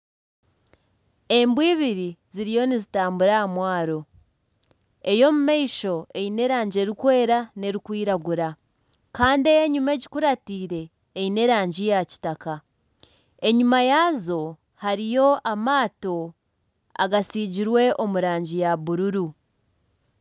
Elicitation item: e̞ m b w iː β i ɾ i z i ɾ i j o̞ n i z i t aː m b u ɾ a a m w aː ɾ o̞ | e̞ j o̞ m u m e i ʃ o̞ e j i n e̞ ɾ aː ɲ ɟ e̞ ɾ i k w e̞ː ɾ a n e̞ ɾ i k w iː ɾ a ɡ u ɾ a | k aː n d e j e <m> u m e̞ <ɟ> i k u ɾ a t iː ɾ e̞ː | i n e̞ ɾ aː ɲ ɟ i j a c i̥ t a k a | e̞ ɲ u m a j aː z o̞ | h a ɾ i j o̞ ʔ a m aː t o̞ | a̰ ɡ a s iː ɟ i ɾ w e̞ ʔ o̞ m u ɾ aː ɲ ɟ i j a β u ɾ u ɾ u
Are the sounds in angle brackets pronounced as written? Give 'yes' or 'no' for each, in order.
no, yes

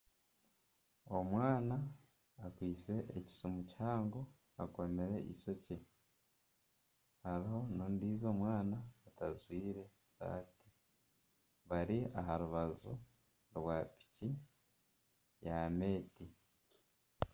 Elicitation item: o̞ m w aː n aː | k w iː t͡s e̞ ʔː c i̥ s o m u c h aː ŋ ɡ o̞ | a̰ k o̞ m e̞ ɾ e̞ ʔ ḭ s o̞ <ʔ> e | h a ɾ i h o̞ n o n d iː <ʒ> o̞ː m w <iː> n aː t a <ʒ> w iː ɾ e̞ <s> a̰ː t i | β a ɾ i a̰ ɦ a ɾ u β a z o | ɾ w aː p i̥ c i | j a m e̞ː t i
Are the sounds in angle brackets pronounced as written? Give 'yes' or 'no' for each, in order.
no, no, no, no, yes

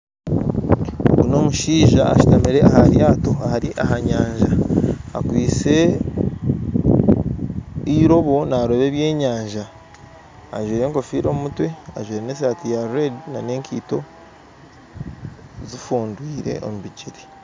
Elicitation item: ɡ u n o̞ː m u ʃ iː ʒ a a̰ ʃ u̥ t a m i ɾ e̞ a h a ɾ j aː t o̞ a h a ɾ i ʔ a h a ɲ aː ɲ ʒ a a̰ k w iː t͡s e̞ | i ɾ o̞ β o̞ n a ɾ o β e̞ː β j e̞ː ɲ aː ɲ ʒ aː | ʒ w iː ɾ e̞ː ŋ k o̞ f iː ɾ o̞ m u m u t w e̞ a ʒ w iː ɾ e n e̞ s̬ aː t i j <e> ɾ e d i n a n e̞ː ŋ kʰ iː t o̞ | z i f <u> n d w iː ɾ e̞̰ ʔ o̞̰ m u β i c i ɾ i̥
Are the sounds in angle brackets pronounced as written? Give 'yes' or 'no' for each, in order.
no, no

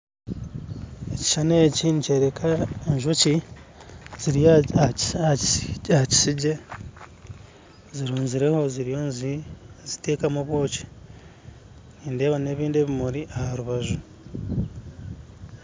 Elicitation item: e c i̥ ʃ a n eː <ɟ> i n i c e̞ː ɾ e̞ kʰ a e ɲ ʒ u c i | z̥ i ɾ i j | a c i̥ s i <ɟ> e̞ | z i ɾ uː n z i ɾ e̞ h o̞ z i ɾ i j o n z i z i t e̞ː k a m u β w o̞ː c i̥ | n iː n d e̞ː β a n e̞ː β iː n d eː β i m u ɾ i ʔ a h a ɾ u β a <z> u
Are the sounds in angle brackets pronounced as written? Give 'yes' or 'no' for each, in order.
no, yes, no

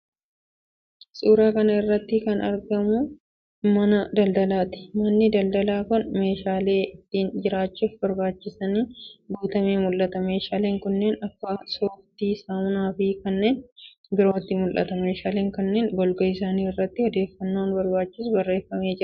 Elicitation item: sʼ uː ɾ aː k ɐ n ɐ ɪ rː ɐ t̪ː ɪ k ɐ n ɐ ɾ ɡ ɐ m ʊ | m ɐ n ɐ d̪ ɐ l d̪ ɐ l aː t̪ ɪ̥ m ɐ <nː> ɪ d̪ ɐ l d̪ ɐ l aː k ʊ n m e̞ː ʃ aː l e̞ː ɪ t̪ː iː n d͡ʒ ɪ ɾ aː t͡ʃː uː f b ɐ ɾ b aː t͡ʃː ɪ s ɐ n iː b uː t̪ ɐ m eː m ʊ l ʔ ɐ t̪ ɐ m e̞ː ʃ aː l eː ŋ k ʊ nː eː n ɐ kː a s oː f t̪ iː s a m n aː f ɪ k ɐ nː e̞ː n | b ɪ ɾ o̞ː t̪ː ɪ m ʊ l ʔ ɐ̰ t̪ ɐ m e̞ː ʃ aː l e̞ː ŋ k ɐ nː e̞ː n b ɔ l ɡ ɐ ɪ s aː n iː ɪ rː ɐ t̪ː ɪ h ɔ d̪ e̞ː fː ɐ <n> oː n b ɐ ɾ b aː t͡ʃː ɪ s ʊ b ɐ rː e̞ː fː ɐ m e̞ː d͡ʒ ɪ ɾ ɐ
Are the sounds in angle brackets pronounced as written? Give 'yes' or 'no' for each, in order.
yes, no

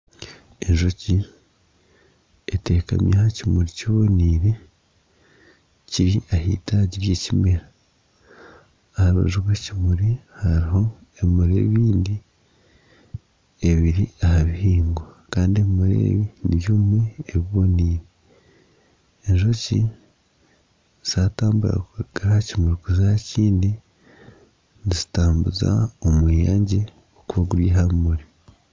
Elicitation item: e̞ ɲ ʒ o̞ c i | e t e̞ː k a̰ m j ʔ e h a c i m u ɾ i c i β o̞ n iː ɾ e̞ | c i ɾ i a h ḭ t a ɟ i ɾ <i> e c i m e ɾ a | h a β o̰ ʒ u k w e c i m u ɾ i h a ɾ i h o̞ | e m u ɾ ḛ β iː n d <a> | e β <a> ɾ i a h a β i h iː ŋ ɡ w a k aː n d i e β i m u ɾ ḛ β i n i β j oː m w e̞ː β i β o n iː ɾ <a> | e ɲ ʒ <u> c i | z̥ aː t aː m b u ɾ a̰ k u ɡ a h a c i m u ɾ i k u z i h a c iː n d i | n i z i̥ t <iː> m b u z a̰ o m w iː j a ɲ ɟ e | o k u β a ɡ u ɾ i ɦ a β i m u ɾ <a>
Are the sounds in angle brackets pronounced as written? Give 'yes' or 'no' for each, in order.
no, no, no, no, no, no, no

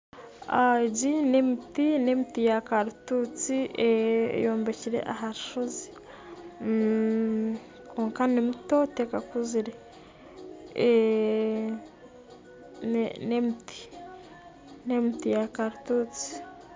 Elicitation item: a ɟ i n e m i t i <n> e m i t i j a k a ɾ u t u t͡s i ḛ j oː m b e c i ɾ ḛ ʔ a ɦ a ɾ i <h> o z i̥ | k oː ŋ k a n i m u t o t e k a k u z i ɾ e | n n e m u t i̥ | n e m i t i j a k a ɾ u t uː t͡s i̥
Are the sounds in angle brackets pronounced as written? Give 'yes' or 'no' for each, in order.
yes, no

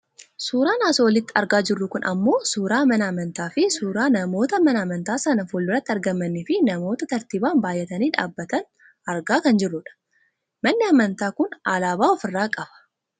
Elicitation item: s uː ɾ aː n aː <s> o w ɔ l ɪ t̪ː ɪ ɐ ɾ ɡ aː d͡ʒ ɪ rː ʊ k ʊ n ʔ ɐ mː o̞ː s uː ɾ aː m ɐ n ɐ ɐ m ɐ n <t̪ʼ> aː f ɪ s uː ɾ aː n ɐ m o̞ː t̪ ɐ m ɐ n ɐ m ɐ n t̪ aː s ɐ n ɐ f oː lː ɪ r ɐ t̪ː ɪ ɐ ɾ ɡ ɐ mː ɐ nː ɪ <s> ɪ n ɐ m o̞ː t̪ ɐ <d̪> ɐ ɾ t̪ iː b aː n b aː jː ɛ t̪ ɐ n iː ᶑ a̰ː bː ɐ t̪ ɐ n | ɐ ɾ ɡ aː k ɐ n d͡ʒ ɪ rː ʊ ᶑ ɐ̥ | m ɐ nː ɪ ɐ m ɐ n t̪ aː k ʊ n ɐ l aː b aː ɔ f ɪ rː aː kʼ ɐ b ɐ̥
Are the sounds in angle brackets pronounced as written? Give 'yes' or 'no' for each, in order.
yes, no, no, no

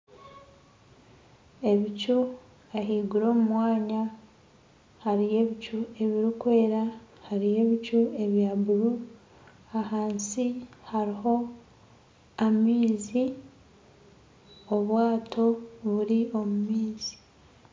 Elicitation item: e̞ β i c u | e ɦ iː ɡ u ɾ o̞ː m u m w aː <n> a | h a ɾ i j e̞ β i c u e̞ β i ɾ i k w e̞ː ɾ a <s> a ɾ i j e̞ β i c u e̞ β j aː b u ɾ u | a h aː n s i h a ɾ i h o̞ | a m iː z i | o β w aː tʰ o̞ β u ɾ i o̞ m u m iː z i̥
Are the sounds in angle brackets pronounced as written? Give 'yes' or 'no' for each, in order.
no, no

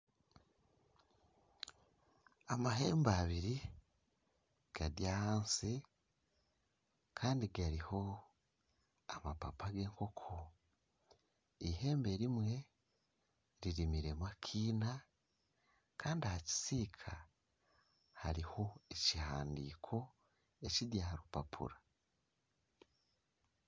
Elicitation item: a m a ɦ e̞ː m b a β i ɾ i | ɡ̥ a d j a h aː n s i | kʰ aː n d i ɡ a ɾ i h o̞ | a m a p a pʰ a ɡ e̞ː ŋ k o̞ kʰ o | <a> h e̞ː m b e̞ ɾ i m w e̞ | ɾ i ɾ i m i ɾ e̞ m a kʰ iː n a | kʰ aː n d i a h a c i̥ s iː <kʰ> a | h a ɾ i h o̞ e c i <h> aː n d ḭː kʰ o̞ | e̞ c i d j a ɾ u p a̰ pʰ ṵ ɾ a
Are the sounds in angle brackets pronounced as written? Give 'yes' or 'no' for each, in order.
no, yes, yes

